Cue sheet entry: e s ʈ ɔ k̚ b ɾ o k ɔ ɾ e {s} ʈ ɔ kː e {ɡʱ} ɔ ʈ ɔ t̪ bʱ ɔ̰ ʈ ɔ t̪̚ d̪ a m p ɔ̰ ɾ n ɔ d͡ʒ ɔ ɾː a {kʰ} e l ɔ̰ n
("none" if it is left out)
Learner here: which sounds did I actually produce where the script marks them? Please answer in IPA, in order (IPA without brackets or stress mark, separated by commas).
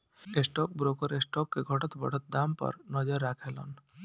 s, ɡʱ, kʰ